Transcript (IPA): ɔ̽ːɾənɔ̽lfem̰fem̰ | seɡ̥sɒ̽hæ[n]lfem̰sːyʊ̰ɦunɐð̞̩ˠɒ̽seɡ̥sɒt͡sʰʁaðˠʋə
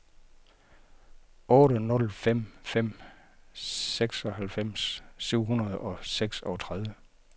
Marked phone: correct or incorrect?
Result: incorrect